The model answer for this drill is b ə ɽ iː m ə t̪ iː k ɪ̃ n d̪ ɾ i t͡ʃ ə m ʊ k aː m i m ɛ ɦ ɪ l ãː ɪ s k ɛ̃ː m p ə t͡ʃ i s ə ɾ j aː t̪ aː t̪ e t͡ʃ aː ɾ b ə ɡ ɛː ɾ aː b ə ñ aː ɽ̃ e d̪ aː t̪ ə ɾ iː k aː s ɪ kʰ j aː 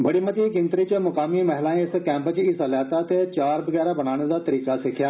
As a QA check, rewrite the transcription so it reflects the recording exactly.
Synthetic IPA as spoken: b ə ɽ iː m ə t̪ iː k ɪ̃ n t̪ ɾ i t͡ʃ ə m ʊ k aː m i m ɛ ɦ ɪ l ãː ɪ s k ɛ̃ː m p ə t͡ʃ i s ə l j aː t̪ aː t̪ e t͡ʃ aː ɾ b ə ɡ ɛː ɾ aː b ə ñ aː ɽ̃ e d̪ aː t̪ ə ɾ iː k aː s ɪ kʰ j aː